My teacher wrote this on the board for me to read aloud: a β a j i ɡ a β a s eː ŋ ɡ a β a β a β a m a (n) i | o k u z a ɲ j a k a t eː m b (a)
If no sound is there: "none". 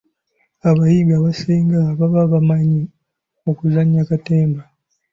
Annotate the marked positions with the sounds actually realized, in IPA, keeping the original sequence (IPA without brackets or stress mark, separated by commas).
ɲ, a